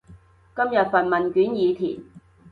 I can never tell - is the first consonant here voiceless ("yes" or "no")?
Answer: yes